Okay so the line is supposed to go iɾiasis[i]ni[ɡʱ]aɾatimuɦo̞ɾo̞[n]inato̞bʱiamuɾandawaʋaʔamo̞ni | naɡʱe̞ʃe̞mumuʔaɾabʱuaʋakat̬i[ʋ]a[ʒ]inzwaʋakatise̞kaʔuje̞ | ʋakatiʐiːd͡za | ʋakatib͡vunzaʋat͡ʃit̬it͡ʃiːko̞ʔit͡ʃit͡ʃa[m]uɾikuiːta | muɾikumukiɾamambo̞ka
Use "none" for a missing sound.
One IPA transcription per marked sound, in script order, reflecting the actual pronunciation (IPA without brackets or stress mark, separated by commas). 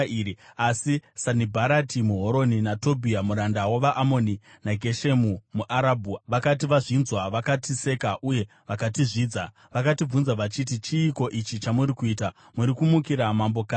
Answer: a, bʱ, n, ʋ, ʐ, m